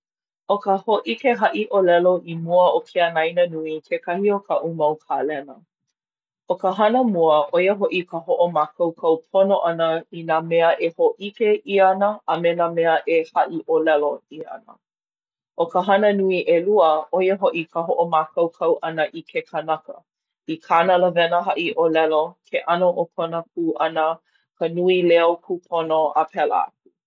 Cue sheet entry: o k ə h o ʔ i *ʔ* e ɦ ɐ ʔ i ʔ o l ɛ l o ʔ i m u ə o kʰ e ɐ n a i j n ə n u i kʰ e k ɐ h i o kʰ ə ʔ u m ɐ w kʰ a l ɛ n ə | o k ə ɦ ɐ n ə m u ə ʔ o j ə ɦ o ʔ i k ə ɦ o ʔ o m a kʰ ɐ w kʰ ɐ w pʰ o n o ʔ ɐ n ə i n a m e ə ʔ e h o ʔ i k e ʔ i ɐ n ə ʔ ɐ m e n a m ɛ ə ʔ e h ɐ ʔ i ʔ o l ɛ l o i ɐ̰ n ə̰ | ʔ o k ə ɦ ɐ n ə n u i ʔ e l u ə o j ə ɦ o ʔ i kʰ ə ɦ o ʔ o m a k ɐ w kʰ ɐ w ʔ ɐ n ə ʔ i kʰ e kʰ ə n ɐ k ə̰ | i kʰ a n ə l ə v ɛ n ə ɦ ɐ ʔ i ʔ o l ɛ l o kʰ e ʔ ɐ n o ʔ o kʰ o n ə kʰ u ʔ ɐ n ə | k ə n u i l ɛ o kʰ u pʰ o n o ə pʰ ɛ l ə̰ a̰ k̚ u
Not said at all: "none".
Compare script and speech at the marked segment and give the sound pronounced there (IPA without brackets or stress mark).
k